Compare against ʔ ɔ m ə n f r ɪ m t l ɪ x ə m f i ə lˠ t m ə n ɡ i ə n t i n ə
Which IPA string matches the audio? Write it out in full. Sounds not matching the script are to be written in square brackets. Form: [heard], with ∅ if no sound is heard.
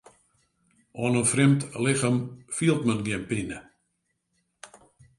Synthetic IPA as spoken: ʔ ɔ [n] ə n f r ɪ m t l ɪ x ə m f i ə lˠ t m ə n ɡ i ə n [p] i n ə